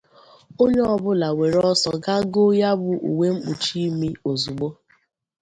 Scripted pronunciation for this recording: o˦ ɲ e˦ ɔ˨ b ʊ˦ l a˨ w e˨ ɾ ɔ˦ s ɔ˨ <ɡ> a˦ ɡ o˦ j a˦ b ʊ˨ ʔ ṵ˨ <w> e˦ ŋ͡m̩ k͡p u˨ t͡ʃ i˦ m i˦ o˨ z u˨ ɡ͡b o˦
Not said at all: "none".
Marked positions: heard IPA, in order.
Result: ɡ, w

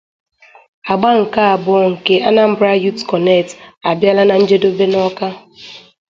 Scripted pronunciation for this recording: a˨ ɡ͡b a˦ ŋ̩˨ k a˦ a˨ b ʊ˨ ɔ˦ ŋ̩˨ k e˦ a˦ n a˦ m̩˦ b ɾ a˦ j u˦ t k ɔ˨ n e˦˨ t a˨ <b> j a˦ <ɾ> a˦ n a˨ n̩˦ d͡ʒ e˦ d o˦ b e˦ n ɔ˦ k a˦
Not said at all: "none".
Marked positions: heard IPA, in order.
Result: b, l

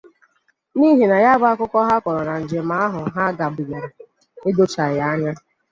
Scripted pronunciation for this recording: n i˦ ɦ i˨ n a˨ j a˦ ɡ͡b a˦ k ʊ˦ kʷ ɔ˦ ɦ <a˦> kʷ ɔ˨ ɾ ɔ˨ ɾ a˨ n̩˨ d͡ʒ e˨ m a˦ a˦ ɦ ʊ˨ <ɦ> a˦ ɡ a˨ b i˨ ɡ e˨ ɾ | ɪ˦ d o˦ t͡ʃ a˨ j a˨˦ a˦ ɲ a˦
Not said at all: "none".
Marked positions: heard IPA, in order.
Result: a˦, ɦ

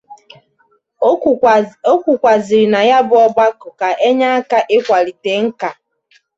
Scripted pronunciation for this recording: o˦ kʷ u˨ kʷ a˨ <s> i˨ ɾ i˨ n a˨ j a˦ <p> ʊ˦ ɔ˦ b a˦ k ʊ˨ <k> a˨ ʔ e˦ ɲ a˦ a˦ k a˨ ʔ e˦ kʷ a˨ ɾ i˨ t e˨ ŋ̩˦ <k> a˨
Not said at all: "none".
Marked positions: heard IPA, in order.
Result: z, b, k, k

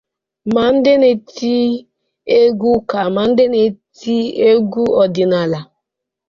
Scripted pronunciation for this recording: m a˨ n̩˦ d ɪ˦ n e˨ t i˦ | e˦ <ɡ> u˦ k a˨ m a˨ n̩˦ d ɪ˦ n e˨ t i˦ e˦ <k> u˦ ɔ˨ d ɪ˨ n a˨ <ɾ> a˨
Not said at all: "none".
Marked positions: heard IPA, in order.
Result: ɡ, ɡ, l

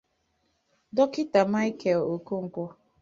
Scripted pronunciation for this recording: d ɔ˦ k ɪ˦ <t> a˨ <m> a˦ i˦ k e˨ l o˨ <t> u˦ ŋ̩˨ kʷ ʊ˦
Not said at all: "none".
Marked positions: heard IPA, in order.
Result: t, m, k

